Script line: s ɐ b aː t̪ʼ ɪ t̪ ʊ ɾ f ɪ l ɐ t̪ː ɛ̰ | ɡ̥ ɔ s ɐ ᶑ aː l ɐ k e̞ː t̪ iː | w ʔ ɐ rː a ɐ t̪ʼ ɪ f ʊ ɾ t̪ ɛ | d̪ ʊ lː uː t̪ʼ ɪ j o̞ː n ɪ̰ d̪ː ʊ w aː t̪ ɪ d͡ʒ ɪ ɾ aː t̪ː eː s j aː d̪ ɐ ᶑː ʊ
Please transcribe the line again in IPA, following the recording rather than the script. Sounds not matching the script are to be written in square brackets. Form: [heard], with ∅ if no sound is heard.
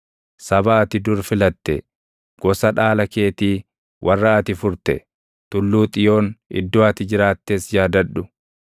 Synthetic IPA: s ɐ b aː [t̪] ɪ [d̪] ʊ ɾ f ɪ l ɐ t̪ː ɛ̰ | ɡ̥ ɔ s ɐ ᶑ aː l ɐ k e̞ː t̪ iː | w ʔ ɐ rː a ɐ [t̪] ɪ f ʊ ɾ t̪ ɛ | [t̪] ʊ lː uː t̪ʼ ɪ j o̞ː n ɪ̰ d̪ː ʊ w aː t̪ ɪ d͡ʒ ɪ ɾ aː t̪ː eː s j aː d̪ ɐ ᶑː ʊ